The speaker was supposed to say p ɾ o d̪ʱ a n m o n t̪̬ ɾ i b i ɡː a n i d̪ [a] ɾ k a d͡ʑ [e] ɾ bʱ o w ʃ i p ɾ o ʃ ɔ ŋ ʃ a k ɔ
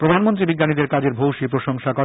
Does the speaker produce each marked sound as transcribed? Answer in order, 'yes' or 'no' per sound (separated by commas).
no, yes